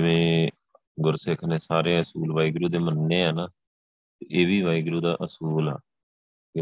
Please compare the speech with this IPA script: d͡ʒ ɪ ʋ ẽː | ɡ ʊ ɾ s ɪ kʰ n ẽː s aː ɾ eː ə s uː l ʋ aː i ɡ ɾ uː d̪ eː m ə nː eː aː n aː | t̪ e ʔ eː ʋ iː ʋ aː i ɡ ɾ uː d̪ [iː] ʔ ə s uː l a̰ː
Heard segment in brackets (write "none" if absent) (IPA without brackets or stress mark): aː